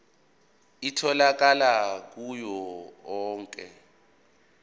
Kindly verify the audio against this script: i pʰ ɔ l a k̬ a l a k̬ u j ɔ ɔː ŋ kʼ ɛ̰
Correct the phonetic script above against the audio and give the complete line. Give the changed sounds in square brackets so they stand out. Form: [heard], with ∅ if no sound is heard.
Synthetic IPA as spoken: i [tʰ] ɔ l a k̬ a l a k̬ u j ɔ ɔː ŋ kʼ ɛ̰